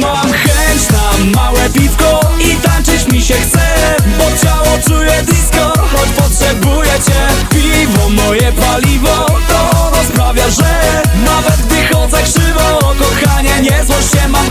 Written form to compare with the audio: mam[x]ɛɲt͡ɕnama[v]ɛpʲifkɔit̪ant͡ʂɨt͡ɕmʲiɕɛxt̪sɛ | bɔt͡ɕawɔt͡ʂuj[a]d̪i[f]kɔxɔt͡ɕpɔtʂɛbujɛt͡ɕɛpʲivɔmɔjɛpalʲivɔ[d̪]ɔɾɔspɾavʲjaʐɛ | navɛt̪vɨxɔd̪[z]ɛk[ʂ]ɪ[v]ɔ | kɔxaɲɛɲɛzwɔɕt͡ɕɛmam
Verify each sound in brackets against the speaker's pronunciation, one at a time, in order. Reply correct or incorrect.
correct, incorrect, incorrect, incorrect, incorrect, correct, correct, correct

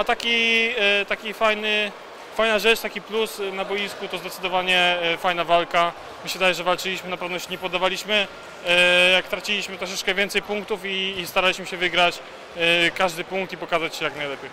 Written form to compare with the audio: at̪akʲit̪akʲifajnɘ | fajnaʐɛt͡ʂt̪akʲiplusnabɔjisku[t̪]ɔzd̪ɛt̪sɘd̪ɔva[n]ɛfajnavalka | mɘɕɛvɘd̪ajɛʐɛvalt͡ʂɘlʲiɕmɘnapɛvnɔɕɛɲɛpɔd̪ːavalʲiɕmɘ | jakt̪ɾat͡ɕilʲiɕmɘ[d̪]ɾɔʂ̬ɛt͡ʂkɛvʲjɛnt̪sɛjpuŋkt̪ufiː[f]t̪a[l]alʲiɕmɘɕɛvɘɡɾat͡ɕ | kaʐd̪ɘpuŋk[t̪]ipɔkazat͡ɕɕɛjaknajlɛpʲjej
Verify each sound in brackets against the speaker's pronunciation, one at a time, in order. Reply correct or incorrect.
correct, incorrect, incorrect, incorrect, incorrect, correct

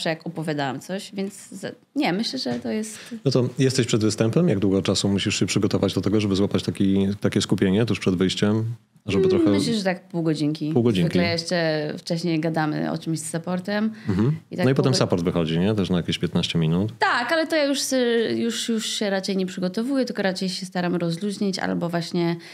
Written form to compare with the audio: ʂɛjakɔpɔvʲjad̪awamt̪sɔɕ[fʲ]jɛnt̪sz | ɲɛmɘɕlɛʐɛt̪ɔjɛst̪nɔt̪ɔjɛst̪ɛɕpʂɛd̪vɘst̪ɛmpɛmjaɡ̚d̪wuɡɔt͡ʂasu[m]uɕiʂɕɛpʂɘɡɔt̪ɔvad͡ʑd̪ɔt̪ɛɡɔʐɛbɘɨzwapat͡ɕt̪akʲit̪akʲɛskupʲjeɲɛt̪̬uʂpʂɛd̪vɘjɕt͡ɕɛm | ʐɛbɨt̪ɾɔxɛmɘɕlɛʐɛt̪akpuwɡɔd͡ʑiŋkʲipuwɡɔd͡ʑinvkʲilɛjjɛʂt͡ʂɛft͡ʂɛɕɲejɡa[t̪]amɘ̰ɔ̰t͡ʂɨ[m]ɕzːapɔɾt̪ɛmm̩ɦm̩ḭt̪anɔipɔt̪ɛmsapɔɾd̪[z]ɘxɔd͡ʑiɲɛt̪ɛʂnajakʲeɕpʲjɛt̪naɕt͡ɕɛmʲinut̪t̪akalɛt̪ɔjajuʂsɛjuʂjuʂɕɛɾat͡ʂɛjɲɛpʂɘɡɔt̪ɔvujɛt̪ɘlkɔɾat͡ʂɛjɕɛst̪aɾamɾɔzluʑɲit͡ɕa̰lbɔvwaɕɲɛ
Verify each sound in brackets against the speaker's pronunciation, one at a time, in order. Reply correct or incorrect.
incorrect, correct, incorrect, correct, incorrect

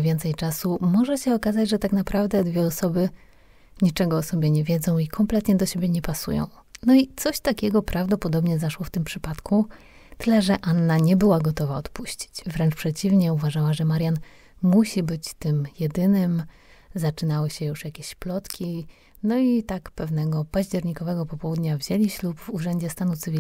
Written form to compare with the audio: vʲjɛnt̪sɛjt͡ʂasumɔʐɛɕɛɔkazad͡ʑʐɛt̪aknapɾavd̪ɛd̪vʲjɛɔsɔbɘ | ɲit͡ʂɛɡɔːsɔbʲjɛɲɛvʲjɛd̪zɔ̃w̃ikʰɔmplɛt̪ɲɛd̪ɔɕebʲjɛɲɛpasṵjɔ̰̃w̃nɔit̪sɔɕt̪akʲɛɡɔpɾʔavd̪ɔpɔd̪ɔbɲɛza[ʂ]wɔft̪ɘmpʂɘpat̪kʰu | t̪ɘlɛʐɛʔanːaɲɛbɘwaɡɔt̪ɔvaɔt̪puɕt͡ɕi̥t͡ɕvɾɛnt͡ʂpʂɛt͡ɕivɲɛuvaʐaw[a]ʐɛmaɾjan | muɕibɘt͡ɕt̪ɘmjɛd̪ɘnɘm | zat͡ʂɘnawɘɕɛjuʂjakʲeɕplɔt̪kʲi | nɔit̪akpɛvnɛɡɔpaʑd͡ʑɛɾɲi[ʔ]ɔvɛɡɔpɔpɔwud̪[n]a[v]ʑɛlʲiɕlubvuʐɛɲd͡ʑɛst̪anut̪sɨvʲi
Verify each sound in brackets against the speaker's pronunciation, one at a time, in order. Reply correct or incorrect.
correct, correct, incorrect, incorrect, correct

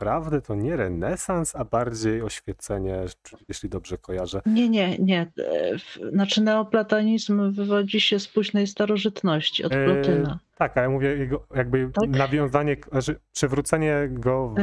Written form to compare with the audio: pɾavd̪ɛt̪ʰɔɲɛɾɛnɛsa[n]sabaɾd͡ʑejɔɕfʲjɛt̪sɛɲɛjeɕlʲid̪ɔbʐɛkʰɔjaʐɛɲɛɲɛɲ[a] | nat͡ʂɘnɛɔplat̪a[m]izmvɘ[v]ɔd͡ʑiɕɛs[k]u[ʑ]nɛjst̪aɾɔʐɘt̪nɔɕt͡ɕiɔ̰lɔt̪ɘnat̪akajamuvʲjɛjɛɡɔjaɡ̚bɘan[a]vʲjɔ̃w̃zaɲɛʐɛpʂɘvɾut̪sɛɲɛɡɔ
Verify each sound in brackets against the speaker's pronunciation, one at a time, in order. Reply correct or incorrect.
correct, incorrect, incorrect, correct, incorrect, correct, correct

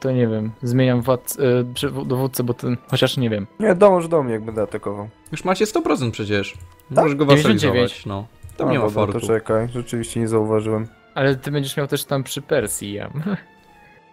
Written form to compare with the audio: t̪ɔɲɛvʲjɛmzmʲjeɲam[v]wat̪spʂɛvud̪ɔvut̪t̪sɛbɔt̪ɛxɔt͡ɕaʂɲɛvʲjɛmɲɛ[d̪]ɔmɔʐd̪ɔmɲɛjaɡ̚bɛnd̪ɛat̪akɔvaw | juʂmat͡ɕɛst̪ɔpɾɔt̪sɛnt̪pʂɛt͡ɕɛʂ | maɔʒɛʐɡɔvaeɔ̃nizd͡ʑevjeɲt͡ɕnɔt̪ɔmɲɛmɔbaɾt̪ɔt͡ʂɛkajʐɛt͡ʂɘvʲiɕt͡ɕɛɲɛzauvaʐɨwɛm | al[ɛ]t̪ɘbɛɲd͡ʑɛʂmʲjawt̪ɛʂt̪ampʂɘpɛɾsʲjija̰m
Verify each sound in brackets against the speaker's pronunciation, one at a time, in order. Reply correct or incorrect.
correct, correct, correct

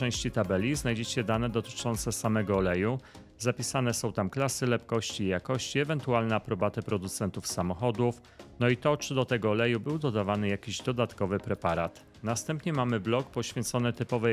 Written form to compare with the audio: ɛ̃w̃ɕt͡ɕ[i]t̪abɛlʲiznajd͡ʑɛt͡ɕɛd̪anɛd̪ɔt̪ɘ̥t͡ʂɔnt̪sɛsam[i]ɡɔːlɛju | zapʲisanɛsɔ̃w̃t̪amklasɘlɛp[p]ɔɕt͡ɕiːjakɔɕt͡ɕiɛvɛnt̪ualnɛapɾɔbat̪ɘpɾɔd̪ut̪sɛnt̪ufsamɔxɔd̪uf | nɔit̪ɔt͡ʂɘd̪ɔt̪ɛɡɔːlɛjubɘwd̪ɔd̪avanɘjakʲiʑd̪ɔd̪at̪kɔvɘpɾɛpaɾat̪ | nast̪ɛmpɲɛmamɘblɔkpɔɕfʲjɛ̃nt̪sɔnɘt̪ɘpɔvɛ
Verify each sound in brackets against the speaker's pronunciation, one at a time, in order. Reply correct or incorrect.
correct, incorrect, incorrect

